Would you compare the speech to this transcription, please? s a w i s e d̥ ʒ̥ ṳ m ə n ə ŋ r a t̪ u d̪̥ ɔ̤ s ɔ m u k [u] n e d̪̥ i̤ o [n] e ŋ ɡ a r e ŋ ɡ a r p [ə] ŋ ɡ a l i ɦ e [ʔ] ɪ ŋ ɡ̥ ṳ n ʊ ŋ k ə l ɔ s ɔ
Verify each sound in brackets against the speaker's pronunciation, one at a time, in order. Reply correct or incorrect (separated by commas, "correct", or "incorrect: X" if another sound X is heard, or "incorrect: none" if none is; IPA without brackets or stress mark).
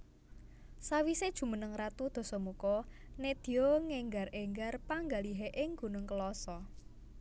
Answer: incorrect: ɔ, incorrect: ŋ, incorrect: a, correct